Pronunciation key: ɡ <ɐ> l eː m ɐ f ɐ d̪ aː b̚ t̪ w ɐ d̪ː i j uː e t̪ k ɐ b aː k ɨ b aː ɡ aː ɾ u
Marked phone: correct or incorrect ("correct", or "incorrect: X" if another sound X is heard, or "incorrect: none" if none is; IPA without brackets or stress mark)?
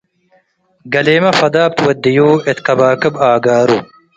correct